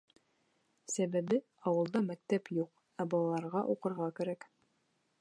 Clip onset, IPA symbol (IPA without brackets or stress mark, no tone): s